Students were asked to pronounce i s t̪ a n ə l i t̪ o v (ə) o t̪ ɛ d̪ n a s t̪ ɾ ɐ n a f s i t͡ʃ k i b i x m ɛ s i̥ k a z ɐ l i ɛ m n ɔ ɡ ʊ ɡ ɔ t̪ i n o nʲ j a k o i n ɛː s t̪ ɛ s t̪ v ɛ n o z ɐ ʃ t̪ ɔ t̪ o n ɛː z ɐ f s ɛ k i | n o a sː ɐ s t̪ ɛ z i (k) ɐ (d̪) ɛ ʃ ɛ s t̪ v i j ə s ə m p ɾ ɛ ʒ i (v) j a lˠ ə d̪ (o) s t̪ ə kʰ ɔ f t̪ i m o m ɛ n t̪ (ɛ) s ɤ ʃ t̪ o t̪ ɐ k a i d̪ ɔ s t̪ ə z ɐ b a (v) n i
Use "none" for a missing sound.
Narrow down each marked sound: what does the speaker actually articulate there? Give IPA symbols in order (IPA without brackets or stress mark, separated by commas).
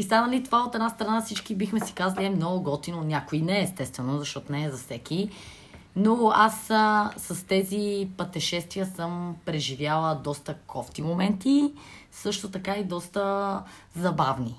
a, p, t̪, v, ɔ, i, v